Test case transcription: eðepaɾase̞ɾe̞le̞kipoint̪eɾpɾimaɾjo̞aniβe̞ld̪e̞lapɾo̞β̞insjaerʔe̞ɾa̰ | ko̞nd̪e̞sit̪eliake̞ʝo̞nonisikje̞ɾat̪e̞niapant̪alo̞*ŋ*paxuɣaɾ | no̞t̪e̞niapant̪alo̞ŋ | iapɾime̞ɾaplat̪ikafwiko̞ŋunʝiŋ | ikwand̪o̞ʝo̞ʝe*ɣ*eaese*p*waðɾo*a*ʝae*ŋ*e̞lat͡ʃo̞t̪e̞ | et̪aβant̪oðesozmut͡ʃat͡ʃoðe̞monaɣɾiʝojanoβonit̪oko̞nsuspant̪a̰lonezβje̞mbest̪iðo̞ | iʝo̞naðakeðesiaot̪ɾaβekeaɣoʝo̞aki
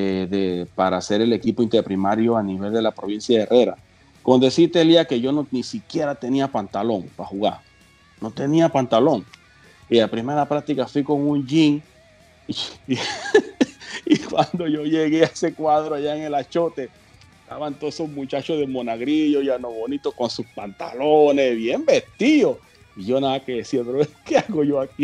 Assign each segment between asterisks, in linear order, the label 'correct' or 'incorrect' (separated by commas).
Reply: correct, correct, incorrect, correct, correct